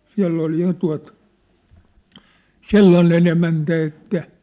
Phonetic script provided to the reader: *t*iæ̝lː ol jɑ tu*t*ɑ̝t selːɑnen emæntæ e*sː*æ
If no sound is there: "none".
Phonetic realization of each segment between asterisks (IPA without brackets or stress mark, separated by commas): s, none, tː